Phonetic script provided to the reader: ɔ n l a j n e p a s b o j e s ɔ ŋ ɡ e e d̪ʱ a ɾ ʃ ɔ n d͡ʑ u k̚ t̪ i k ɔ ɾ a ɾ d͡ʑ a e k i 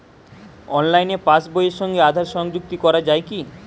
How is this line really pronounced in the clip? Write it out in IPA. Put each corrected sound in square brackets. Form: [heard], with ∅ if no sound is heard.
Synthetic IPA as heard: ɔ n l a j n e p a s b o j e [ʃ] ɔ ŋ ɡ e [a] d̪ʱ a ɾ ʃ ɔ [ŋ] d͡ʑ u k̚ t̪ i k ɔ ɾ a [∅] d͡ʑ a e k i